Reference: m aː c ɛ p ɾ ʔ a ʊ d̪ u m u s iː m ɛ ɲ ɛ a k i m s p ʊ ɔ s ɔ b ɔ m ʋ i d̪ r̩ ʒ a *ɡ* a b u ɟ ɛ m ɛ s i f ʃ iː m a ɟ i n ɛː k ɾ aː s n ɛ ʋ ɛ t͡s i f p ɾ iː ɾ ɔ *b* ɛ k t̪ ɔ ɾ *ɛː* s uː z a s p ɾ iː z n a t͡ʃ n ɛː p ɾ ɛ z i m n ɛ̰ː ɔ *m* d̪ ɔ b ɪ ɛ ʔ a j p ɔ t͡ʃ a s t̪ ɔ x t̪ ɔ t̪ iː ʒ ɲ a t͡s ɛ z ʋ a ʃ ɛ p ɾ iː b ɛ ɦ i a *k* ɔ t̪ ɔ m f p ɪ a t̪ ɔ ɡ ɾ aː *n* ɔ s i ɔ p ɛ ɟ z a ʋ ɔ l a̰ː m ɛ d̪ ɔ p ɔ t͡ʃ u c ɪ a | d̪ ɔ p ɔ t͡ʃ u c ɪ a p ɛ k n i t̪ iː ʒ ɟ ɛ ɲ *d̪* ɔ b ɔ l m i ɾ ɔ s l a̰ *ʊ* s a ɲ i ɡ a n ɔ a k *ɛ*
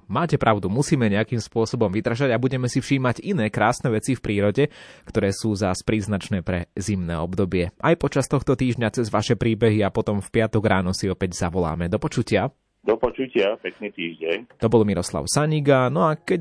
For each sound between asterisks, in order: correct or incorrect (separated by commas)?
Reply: incorrect, incorrect, correct, incorrect, incorrect, correct, incorrect, correct, correct